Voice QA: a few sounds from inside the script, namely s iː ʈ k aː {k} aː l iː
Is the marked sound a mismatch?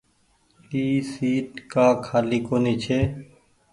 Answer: yes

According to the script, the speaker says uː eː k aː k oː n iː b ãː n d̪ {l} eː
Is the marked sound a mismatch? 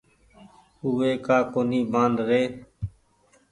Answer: yes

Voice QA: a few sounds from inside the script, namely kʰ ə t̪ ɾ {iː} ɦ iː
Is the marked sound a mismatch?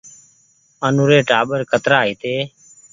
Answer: yes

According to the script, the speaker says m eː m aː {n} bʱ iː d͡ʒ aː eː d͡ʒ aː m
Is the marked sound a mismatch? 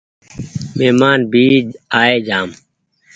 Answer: no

